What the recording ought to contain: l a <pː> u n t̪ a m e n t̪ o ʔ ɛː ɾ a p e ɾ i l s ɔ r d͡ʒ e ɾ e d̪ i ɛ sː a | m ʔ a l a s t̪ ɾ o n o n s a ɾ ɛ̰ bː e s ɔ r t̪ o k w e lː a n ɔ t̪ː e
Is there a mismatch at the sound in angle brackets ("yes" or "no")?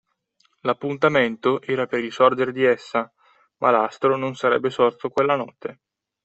no